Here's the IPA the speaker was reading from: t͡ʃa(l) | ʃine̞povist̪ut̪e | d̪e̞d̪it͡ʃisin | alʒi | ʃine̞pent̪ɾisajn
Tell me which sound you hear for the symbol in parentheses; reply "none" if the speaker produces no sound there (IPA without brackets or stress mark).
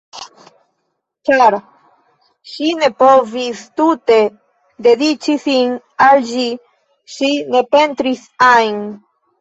ɾ